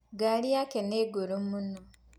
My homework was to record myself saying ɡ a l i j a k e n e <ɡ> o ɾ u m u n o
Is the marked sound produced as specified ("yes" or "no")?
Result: yes